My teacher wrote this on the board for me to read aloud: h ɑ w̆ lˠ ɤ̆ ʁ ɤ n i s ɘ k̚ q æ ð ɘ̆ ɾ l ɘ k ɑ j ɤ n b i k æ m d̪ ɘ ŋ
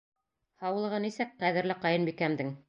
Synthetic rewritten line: h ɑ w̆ lˠ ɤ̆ ʁ ɤ n i s ɘ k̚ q æ ð ɘ̆ ɾ l ɘ q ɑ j ɤ n b i k æ m d̪ ɘ ŋ